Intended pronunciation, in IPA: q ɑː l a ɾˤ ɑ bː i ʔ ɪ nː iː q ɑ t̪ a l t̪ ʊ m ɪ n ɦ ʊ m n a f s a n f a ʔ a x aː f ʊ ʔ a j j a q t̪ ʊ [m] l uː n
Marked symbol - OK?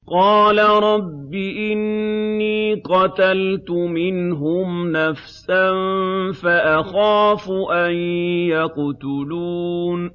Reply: no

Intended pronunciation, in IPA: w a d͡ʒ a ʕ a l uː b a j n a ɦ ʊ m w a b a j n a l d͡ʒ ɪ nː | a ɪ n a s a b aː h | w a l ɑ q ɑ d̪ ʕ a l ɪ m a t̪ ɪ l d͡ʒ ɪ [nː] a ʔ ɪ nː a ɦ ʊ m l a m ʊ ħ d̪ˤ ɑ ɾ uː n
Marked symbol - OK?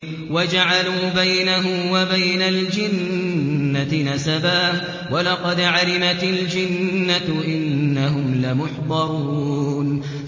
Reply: yes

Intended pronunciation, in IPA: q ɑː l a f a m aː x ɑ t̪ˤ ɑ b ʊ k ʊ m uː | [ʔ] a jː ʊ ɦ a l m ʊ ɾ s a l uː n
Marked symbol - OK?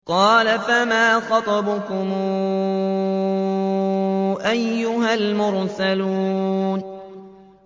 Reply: yes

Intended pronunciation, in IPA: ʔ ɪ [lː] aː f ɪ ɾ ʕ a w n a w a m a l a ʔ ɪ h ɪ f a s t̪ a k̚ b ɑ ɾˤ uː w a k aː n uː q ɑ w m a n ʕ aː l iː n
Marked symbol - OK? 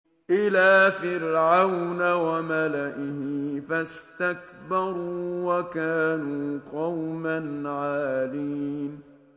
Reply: no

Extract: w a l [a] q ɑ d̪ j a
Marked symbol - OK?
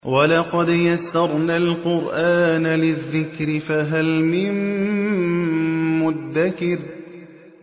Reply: no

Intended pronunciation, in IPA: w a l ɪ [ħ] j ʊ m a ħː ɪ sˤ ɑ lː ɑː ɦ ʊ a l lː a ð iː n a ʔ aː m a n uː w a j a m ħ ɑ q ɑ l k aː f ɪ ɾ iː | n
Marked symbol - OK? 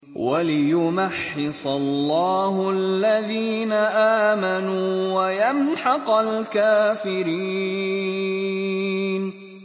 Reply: no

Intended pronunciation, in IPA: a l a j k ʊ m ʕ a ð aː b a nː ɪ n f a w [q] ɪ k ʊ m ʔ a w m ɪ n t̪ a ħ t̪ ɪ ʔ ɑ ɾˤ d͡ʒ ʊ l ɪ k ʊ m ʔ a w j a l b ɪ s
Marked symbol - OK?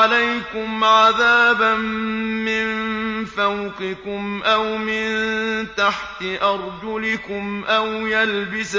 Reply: yes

